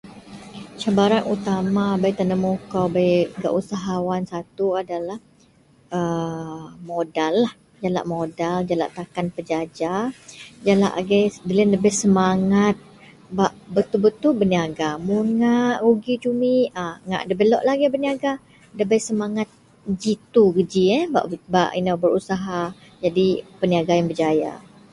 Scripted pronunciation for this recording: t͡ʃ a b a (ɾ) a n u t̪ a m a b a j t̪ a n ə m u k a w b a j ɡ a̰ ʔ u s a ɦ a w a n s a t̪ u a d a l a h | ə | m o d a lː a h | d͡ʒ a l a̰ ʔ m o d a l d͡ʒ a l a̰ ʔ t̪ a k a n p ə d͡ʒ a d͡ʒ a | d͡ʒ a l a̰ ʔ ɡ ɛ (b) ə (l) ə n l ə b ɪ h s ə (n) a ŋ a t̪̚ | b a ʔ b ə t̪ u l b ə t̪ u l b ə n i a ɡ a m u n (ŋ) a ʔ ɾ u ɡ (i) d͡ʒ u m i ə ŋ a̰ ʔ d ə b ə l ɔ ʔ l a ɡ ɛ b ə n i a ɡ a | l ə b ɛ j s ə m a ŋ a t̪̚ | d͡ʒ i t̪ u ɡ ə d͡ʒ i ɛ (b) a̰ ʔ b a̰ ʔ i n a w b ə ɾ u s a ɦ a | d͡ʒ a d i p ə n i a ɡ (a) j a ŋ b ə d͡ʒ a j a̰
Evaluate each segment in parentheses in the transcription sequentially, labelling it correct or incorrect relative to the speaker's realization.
correct, incorrect: d, correct, incorrect: m, correct, correct, correct, correct

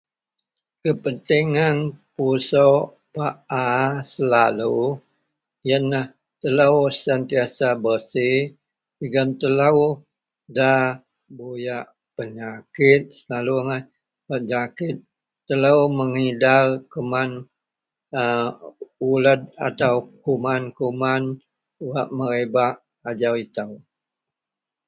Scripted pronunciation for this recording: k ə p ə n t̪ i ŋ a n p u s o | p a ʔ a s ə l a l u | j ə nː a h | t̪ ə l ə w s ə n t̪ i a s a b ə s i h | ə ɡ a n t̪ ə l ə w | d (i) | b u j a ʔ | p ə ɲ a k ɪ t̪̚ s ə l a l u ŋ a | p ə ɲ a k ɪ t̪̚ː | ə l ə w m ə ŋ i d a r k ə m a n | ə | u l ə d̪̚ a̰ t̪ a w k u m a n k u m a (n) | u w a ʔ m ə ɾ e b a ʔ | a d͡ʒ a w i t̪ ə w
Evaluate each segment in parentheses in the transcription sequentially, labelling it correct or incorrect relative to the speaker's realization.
incorrect: a, correct

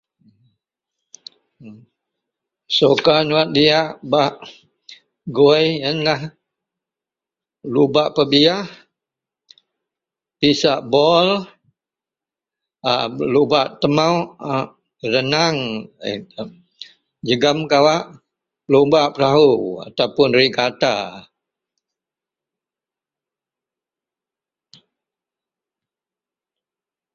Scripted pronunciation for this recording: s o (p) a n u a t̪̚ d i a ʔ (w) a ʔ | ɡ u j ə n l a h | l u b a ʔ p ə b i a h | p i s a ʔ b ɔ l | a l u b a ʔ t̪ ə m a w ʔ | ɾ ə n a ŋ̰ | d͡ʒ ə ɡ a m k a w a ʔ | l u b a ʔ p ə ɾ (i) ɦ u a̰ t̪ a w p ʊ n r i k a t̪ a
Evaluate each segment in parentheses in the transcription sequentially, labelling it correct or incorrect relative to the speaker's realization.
incorrect: k, incorrect: b, incorrect: a

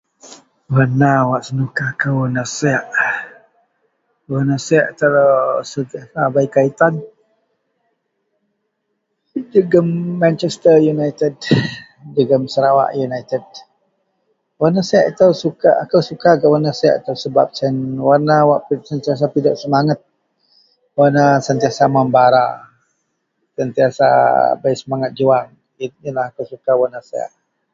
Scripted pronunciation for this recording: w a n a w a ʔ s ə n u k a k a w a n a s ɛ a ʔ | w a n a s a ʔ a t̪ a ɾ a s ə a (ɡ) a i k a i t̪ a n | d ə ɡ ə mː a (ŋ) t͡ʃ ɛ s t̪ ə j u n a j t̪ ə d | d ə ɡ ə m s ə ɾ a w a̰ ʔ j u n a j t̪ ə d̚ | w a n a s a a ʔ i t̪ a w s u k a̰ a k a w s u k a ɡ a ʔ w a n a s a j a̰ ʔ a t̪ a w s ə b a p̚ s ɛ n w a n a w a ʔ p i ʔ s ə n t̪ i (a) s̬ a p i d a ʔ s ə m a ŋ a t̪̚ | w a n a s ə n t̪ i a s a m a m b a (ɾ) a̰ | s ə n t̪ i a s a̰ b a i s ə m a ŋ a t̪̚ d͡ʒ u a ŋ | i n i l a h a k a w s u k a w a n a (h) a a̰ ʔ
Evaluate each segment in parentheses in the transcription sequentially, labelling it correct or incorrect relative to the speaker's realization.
incorrect: b, incorrect: n, correct, correct, incorrect: s

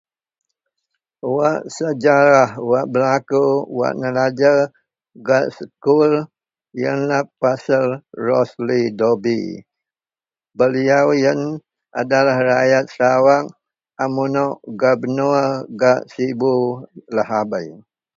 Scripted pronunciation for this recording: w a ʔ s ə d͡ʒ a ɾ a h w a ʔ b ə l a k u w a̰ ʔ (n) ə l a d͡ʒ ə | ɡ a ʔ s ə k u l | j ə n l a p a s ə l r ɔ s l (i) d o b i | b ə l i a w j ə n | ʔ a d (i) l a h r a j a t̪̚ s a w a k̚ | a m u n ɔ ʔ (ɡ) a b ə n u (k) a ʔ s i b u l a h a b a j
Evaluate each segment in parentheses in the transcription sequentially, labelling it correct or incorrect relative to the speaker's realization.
correct, correct, incorrect: a, correct, incorrect: ɡ

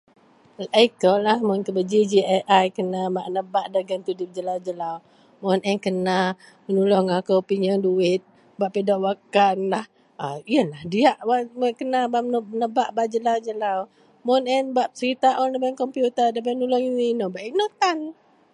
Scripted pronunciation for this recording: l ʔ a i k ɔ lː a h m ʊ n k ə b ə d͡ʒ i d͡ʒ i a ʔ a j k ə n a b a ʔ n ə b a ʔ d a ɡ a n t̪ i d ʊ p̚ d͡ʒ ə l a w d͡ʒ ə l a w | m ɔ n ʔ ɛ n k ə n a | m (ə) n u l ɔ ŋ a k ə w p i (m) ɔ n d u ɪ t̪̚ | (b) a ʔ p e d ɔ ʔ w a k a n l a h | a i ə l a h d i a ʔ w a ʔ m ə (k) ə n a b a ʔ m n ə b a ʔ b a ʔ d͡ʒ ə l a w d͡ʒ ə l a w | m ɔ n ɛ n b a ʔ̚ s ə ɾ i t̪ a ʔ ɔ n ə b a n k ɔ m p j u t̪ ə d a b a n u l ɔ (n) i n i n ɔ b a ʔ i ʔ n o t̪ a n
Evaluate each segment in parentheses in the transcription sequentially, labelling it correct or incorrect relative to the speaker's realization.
correct, incorrect: ɲ, correct, correct, incorrect: ŋ

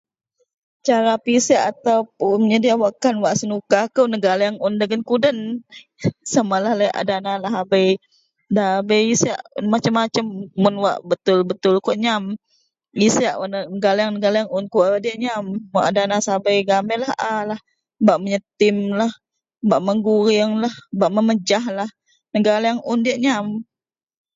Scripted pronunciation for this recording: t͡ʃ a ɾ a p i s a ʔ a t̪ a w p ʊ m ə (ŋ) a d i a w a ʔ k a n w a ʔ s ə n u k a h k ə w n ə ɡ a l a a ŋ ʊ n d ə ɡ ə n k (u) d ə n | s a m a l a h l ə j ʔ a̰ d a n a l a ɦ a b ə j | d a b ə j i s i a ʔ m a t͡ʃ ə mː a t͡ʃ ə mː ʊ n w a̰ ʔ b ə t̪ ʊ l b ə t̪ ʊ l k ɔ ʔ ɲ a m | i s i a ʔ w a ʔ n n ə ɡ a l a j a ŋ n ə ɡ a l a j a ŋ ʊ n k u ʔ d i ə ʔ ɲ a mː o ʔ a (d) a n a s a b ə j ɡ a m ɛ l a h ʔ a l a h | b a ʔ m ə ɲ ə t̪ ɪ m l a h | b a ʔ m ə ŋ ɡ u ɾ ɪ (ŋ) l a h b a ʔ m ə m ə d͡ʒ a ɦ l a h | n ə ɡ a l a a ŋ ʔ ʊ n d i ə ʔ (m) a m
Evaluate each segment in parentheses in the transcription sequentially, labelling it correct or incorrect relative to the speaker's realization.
incorrect: ɲ, correct, correct, correct, incorrect: ɲ

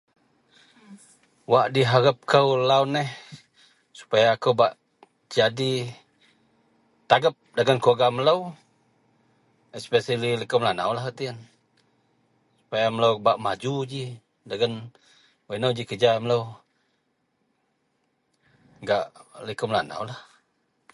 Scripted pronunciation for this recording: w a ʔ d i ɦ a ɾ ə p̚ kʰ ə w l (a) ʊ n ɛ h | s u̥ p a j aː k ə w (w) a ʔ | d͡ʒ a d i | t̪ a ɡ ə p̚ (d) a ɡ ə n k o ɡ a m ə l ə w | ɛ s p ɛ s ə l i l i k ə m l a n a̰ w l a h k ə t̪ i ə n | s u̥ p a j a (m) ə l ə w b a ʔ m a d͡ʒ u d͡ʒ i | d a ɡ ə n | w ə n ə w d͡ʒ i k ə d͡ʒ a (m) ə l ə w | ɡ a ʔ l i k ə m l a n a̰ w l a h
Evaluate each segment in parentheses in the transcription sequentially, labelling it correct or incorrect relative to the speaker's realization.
correct, incorrect: b, correct, correct, correct

